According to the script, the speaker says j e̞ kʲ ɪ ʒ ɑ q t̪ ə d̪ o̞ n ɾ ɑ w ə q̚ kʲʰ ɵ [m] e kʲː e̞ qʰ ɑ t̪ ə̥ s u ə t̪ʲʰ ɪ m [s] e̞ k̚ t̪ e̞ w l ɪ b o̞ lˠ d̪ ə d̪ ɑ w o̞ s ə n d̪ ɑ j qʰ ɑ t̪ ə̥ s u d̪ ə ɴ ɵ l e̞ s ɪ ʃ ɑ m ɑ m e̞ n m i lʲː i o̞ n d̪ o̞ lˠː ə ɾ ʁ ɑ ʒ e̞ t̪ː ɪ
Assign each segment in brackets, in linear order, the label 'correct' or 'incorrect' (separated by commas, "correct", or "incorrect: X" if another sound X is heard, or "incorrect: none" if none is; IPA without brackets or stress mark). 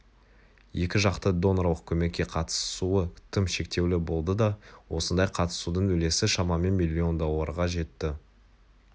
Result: correct, incorrect: ʃ